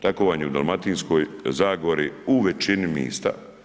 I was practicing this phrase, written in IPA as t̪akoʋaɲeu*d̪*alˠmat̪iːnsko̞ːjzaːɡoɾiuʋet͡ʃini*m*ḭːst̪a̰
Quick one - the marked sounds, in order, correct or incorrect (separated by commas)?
correct, correct